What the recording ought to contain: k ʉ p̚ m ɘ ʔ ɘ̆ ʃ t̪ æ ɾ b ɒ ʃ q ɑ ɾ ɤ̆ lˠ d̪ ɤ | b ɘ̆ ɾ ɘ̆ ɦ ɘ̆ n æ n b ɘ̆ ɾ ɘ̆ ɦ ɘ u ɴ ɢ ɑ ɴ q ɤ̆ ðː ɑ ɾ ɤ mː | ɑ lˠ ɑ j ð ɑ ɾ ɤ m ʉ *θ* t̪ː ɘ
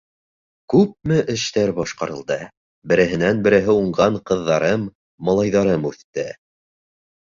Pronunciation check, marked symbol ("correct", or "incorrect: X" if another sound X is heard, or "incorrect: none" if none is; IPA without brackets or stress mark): correct